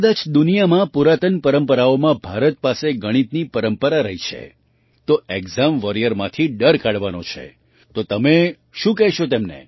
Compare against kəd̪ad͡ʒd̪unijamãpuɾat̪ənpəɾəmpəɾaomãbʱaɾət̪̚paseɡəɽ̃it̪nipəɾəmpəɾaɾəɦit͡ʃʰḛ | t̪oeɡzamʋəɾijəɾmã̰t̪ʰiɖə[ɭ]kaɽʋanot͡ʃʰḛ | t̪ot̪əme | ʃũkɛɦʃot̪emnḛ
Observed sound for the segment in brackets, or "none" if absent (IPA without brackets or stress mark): ɾ